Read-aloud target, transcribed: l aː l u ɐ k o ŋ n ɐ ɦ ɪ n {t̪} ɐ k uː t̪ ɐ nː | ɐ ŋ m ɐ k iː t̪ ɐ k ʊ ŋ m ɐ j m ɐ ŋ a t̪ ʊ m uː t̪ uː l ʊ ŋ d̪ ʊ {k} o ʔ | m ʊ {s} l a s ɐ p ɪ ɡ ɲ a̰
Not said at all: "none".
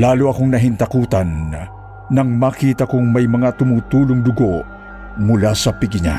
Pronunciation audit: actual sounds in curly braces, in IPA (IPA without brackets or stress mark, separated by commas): t̪, ɡ, none